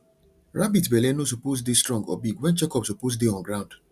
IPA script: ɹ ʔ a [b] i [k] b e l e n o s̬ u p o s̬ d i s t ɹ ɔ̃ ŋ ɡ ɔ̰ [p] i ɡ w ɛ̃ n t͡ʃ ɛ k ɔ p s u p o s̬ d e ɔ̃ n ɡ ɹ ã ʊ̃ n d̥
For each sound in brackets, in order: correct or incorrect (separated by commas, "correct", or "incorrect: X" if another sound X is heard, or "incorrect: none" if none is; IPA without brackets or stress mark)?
correct, incorrect: t, incorrect: b